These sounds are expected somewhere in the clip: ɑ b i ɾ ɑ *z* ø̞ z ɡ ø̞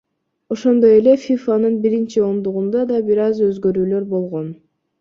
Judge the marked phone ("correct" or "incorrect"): correct